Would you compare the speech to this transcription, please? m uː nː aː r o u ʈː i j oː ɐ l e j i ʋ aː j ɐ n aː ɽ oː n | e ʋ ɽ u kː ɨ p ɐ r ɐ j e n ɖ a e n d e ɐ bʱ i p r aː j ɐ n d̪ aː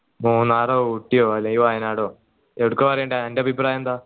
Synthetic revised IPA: m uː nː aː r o u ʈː i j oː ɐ l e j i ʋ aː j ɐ n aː ɽ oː | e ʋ ɽ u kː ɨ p ɐ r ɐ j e ɳ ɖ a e n d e ɐ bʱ i p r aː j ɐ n d̪ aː